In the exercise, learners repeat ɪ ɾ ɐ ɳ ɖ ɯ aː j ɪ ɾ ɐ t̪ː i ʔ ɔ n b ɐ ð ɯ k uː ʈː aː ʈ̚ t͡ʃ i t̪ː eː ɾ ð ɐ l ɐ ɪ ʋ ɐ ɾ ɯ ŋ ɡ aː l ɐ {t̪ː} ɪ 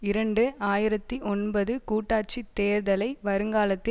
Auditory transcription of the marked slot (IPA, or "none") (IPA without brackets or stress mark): t̪ː